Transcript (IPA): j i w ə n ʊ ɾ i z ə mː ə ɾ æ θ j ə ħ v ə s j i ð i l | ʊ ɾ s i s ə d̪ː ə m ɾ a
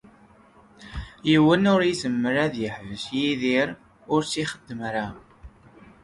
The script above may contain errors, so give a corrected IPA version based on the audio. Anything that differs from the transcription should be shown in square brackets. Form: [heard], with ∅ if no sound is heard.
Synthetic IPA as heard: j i w ə n ʊ ɾ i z ə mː ə ɾ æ [ð] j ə ħ v ə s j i ð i [ɾ] | ʊ ɾ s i [χ] ə d̪ː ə m ɾ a